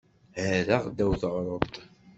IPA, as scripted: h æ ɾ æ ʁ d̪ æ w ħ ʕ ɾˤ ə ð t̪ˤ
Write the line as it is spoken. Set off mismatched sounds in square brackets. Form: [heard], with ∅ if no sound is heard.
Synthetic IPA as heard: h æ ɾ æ ʁ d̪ æ w [θ] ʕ ɾˤ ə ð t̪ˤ

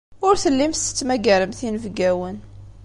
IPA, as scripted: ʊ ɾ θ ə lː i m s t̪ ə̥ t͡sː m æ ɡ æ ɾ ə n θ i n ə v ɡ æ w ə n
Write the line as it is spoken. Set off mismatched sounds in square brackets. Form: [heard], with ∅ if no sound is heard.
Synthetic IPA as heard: ʊ ɾ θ ə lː i m s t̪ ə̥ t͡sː m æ ɡ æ ɾ ə [m] θ i n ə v ɡ æ w ə n

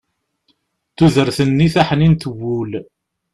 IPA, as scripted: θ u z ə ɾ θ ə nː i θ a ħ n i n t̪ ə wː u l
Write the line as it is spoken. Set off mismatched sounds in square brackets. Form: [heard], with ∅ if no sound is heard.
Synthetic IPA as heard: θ u [ð] ə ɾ θ ə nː i θ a ħ n i n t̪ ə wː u l

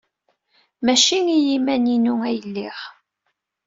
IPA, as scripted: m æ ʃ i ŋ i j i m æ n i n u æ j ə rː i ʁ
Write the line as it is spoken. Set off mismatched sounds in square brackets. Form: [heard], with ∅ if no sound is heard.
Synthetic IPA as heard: m æ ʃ i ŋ i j i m æ n i n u æ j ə [lː] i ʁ

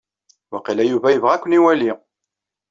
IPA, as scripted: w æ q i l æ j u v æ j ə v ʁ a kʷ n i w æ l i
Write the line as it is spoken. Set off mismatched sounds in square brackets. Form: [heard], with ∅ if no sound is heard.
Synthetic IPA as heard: w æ q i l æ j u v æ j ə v ʁ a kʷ n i w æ l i

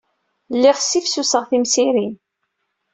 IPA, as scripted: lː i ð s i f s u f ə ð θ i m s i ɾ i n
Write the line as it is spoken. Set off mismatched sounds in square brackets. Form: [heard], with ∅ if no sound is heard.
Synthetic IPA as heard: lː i [ʁ] s i f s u [s] ə [ʁ] θ i m s i ɾ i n

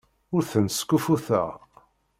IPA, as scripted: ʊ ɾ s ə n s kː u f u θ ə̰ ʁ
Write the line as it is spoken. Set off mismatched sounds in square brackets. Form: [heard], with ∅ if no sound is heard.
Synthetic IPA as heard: ʊ ɾ [θ] ə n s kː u f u θ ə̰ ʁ

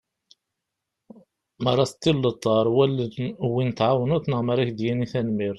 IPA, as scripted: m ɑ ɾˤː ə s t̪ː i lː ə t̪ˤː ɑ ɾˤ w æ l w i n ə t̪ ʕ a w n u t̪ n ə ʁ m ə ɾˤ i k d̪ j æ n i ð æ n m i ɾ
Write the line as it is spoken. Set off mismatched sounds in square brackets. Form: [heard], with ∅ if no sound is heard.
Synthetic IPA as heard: m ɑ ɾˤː [ɑ] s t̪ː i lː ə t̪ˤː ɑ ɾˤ w æ l w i n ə t̪ ʕ a w n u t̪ n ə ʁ m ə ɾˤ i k d̪ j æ n i [θ] æ n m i ɾ

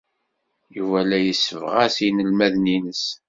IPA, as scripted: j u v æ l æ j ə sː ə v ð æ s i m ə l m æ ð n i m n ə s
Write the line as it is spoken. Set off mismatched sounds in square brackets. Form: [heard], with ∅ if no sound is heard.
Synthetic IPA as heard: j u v æ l æ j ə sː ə v [ʁ] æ s i [n] ə l m æ ð n i [∅] n ə s

